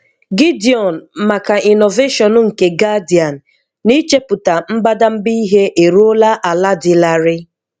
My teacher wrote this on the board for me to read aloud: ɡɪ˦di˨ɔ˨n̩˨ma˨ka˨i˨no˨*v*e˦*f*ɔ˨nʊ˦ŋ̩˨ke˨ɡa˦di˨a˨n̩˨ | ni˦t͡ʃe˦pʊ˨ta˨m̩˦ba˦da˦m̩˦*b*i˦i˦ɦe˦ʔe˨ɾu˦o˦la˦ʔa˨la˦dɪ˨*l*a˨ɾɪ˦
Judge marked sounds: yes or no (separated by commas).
yes, no, yes, yes